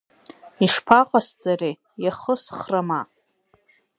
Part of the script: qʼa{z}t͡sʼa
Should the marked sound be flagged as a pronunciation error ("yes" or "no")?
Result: yes